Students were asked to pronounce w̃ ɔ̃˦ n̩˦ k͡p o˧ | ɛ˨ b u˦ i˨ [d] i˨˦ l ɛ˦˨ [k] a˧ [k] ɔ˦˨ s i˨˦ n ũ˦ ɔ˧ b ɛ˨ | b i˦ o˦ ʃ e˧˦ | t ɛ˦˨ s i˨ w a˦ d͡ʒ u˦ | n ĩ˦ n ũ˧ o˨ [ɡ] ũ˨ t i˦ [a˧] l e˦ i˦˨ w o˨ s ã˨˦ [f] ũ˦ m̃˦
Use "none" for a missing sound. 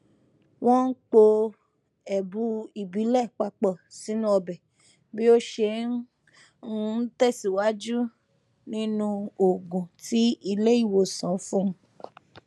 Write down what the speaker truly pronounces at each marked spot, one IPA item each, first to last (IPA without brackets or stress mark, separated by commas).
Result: b, k͡p, k͡p, ɡ, i˧, f